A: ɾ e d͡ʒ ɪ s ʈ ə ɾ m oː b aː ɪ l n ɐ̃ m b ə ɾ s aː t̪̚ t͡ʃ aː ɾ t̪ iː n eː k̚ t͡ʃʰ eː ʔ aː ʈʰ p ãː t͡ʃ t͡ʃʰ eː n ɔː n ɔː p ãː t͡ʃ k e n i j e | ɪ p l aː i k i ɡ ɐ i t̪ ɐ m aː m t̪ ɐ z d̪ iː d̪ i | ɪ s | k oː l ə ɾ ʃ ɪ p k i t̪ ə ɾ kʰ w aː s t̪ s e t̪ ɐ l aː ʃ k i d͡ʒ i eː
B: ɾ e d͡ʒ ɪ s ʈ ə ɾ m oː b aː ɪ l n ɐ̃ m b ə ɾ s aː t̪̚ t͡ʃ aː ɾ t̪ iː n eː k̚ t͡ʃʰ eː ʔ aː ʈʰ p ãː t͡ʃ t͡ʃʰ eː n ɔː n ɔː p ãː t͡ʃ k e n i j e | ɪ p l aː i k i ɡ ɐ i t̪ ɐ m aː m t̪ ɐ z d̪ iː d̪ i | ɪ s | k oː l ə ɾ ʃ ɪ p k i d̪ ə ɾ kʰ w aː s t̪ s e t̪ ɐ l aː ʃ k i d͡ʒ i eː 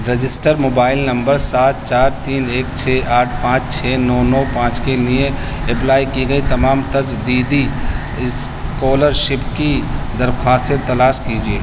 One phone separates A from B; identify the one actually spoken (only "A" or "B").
B